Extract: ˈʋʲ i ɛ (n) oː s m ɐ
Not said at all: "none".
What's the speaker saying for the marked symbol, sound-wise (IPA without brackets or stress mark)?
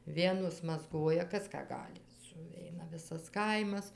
n